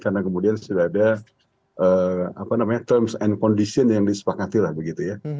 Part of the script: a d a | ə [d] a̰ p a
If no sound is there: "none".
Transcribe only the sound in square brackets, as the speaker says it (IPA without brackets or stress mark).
none